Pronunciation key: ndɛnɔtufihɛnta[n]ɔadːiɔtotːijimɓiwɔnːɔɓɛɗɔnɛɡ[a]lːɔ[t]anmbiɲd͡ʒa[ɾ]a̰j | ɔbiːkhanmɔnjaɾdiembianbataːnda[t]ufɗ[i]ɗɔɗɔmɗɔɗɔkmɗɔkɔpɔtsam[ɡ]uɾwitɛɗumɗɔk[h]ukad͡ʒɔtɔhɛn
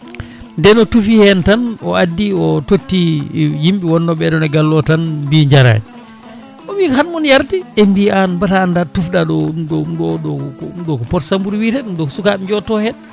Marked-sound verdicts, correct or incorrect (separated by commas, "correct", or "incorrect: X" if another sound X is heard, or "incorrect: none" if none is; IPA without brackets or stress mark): correct, correct, correct, correct, correct, incorrect: a, incorrect: b, incorrect: s